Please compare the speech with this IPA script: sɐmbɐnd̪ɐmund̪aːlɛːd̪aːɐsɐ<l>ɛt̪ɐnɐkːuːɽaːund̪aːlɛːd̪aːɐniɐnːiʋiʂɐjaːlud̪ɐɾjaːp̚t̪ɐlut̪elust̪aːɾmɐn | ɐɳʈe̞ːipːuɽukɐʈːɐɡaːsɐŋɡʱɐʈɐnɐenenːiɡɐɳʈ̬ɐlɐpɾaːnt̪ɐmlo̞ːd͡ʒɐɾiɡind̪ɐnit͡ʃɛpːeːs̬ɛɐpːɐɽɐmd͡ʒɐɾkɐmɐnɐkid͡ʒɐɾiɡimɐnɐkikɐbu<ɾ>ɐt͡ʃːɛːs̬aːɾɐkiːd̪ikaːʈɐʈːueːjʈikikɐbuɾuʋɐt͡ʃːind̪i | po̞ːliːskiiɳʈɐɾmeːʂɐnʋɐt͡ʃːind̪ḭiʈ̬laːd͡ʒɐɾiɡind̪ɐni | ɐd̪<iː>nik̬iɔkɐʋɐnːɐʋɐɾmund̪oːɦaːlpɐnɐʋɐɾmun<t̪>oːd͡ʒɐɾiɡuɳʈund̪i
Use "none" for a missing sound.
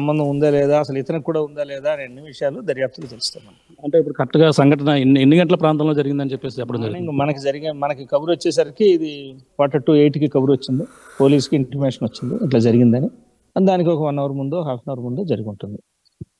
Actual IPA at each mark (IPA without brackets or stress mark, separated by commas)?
l, ɾ, aː, d̪